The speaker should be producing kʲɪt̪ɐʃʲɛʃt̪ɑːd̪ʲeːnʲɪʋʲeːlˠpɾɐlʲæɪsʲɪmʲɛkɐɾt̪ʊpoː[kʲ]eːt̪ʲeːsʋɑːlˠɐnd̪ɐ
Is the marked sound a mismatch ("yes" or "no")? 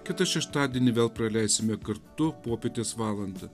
yes